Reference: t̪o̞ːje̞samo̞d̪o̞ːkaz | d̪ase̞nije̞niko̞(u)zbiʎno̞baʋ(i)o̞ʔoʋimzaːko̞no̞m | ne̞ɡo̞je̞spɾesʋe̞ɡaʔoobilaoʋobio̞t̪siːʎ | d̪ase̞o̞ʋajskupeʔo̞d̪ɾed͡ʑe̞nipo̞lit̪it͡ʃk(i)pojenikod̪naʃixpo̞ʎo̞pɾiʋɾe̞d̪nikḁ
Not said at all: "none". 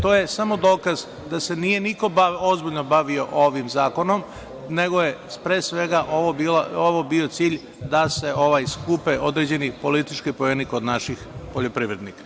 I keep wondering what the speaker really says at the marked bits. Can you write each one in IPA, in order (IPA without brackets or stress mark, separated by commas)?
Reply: o, i, i